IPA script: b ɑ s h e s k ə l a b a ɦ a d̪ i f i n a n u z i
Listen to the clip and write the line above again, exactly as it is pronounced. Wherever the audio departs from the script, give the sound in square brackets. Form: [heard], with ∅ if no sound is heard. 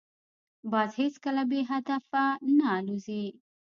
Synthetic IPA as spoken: b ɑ [z] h e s k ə l a b [e] ɦ a d̪ [a] f [a] n a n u z i